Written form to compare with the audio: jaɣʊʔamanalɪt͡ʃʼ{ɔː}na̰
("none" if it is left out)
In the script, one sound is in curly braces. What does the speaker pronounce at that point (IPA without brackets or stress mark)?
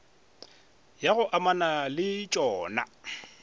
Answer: ɔː